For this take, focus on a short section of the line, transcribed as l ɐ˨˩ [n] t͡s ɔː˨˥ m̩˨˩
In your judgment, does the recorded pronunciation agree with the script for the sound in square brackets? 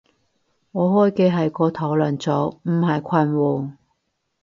yes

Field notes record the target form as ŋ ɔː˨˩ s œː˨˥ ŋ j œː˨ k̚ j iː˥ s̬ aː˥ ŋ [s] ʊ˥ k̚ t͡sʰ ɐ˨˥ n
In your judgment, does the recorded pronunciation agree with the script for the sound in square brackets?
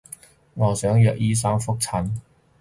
no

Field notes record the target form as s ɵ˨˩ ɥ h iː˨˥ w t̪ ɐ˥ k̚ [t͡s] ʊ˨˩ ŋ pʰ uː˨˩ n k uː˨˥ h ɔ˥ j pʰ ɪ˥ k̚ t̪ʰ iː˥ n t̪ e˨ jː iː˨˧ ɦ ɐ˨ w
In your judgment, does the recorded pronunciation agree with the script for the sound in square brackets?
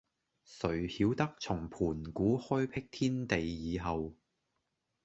no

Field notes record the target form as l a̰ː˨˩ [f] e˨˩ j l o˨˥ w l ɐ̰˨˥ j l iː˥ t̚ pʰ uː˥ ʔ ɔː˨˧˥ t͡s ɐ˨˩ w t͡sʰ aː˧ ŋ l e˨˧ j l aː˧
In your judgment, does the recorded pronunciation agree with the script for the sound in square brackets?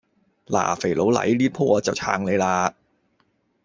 yes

